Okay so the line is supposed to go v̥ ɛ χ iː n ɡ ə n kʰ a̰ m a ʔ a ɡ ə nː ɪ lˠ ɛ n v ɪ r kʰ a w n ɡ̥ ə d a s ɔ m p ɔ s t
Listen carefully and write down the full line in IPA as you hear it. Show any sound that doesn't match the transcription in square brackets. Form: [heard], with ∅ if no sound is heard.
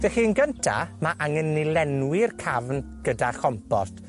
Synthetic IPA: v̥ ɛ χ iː n ɡ ə n [tʰ] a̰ m a ʔ a [ŋ] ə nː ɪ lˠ ɛ n [w] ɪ r kʰ a [v] n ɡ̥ ə d a [χ] ɔ m p ɔ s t